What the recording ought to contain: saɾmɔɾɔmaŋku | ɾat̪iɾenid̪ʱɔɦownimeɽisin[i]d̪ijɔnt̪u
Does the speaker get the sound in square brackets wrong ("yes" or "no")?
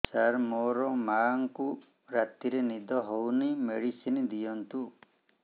no